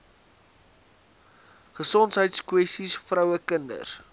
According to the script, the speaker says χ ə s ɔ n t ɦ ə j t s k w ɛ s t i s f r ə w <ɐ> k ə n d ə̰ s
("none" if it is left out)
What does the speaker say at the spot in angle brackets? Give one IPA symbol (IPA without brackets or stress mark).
ə